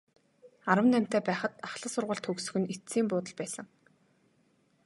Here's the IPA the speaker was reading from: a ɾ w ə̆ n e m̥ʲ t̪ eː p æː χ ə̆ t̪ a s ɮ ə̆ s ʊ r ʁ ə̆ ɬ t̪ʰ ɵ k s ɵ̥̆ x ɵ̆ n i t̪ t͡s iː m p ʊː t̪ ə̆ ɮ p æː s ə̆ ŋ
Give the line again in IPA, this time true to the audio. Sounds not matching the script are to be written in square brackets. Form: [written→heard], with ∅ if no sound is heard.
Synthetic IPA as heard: a ɾ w ə̆ n [e→æ] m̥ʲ t̪ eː p æː χ ə̆ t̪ a [s→χ] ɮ ə̆ s ʊ r ʁ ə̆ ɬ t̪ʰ ɵ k s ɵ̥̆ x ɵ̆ n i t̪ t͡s iː m p ʊː t̪ ə̆ ɮ p æː s ə̆ ŋ